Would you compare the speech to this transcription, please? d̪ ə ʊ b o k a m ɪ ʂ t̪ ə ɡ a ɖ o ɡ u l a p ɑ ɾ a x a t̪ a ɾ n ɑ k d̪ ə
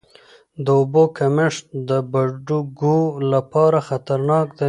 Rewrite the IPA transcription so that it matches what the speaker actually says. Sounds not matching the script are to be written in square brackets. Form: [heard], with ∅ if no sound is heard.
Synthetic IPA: d̪ ə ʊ b o k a m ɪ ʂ [d̪] ə [b] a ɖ [u] ɡ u l a p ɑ ɾ a x a t̪ a ɾ n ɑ k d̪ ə